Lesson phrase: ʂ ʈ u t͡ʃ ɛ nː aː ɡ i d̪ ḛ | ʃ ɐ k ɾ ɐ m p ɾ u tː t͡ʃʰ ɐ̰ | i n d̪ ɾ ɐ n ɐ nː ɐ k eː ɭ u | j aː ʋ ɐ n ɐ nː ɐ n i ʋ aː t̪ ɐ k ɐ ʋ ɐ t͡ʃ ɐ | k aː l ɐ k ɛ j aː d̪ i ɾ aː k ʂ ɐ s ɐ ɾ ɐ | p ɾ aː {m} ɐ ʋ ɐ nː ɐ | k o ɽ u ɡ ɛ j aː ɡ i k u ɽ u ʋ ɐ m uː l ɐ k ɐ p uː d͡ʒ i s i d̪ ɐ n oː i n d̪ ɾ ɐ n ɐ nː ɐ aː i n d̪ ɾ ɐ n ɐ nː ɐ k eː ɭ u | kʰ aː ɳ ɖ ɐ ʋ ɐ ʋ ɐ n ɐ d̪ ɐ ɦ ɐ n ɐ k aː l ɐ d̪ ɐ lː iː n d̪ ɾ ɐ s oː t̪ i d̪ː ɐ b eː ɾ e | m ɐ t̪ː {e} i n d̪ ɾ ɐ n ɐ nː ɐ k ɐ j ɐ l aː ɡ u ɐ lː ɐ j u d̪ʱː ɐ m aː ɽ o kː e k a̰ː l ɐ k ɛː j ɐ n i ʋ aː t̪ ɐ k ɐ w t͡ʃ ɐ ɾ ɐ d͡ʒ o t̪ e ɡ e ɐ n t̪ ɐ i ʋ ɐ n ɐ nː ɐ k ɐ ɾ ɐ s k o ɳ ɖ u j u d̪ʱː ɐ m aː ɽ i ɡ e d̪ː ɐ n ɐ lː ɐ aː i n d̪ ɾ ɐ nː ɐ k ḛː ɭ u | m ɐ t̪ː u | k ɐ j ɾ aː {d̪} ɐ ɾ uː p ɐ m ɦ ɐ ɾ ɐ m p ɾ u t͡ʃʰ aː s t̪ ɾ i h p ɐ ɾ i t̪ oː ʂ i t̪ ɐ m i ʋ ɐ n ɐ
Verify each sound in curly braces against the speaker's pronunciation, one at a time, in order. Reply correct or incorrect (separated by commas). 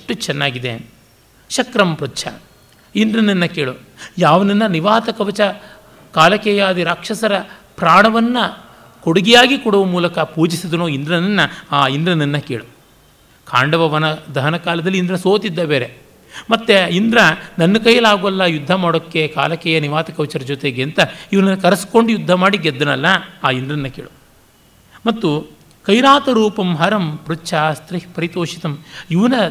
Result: incorrect, correct, incorrect